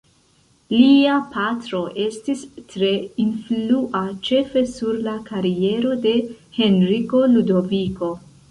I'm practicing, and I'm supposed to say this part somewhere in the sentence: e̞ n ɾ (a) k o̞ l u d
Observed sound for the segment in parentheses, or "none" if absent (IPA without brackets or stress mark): i